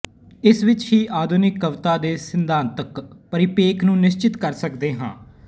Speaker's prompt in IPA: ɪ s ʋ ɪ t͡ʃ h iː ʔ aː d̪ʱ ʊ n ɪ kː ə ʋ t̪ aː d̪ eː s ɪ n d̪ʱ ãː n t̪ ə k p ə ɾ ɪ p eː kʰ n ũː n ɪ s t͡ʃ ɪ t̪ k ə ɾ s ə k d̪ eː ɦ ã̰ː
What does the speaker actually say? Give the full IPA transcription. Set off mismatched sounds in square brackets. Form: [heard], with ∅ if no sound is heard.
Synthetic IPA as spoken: ɪ s ʋ ɪ t͡ʃ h iː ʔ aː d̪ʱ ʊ n ɪ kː ə ʋ t̪ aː d̪ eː s ɪ n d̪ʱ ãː n t̪ ə k p ə ɾ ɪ p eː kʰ n ũː n ɪ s t͡ʃ ɪ t̪ k ə ɾ s ə k d̪ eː ɦ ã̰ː